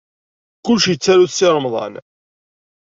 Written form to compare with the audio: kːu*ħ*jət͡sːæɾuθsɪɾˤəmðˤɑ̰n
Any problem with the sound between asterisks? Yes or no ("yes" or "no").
yes